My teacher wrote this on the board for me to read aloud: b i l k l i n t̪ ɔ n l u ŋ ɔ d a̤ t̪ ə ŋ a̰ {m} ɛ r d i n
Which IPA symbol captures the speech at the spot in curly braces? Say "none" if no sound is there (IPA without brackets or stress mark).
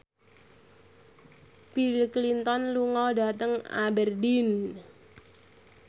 b